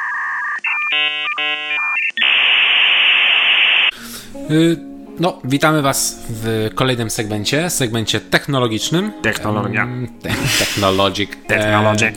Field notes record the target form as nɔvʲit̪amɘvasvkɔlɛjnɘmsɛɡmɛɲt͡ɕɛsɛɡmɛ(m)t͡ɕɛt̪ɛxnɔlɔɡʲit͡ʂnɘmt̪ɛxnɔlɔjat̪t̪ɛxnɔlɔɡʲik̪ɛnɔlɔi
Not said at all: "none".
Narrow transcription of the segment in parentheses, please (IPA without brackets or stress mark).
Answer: ɲ